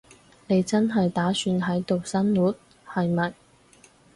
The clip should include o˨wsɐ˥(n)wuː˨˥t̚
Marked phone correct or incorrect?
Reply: correct